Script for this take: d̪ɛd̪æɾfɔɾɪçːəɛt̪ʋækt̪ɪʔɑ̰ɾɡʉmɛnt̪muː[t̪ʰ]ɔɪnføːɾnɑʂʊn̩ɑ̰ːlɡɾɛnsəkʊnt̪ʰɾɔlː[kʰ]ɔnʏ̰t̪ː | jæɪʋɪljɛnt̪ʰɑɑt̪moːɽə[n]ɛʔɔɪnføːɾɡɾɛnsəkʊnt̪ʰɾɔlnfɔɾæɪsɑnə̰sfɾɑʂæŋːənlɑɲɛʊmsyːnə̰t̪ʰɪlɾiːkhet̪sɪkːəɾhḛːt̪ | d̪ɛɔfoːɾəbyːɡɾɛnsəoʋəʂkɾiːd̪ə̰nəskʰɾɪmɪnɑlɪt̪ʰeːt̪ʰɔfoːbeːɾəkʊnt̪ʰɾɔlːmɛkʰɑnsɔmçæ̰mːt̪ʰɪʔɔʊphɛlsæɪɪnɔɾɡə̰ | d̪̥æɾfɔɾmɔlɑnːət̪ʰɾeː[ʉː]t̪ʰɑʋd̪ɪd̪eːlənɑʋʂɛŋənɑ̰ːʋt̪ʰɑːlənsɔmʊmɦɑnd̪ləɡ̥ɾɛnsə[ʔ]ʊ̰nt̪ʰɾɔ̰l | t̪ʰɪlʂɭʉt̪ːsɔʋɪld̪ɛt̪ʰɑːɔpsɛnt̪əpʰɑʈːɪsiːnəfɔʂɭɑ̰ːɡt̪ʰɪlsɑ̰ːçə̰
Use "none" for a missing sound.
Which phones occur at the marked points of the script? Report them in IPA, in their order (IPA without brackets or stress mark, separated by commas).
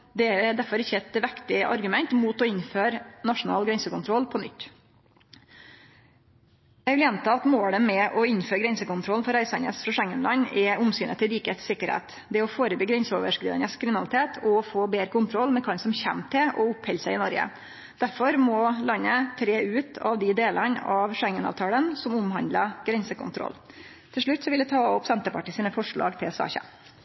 t̪, pʰ, m, ʉː, k